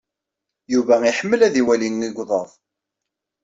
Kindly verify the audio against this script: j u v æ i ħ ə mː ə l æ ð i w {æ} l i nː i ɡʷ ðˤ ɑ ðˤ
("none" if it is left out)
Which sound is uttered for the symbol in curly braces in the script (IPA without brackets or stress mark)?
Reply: æ